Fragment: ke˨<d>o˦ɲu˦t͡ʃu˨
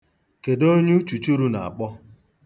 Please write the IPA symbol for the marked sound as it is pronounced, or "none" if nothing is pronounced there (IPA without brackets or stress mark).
d